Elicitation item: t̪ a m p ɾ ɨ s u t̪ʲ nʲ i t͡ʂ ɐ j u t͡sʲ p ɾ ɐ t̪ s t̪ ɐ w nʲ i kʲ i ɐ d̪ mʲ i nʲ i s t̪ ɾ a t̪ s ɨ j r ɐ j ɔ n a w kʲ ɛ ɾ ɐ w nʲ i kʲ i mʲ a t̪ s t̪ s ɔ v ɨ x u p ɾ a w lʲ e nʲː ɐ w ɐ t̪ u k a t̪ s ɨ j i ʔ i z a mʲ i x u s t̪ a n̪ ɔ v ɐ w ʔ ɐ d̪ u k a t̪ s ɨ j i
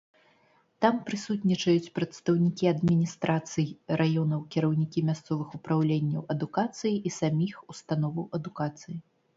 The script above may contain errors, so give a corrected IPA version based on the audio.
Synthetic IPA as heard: t̪ a m p ɾ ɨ s u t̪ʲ nʲ i t͡ʂ ɐ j u t͡sʲ p ɾ ɐ t̪ s t̪ ɐ w nʲ i kʲ i ɐ d̪ mʲ i nʲ i s t̪ ɾ a t̪ s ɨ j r a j ɔ n ɐ w kʲ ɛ ɾ ɐ w nʲ i kʲ i mʲ a s t̪ s ɔ v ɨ x u p ɾ a w lʲ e nʲː ɐ w ɐ d̪ u k a t̪ s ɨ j i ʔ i s a mʲ i x u s t̪ a n̪ ɔ v ɐ w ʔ ɐ d̪ u k a t̪ s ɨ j i